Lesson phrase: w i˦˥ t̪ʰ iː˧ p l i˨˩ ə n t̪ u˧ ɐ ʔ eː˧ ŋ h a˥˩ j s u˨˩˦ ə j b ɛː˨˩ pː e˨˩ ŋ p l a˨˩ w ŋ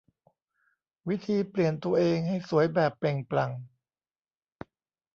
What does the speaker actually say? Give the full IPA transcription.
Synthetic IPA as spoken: w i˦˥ t̪ʰ iː˧ p l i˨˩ ə n t̪ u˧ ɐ ʔ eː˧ ŋ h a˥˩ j s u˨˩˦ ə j b ɛː˨˩ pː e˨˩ ŋ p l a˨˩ ŋ